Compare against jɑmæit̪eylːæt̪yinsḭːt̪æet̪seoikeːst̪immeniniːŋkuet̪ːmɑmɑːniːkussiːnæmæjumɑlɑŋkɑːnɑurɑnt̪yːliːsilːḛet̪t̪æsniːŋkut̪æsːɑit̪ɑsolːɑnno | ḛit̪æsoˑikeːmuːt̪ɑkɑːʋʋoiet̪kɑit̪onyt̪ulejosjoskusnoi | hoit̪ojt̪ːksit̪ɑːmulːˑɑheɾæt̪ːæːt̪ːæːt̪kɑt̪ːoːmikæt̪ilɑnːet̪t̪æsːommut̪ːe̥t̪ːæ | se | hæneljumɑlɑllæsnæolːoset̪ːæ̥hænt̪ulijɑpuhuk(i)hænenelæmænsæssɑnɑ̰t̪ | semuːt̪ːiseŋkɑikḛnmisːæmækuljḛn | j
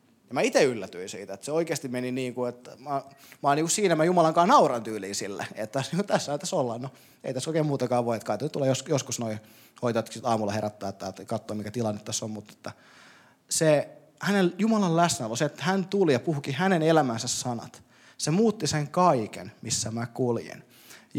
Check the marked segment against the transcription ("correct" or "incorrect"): correct